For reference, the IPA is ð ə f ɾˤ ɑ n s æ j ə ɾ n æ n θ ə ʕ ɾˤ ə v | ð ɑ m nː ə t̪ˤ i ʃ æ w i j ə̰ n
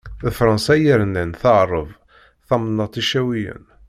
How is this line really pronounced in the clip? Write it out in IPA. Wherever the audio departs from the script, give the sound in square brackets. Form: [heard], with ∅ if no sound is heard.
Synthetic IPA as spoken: ð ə f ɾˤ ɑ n s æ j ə ɾ n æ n θ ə ʕ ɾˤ ə v | [θ] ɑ m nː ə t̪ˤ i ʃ æ w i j ə̰ n